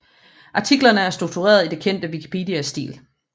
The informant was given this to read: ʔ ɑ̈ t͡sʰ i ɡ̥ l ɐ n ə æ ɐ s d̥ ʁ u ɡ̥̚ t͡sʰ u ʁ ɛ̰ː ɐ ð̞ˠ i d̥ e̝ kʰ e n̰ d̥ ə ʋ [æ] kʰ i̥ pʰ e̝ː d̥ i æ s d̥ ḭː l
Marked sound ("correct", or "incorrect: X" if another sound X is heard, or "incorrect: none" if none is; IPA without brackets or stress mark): incorrect: i